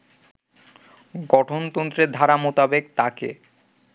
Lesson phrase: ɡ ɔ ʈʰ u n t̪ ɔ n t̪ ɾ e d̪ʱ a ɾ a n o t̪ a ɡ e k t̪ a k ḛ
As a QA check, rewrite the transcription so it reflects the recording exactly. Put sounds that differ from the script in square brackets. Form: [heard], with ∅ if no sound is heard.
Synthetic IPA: ɡ ɔ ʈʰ [o] n t̪ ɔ n t̪ ɾ e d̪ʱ a ɾ a [m] o t̪ a [b] e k t̪ a k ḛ